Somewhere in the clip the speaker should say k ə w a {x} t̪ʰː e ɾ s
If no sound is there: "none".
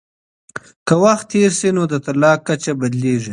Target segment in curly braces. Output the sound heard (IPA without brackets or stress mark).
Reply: x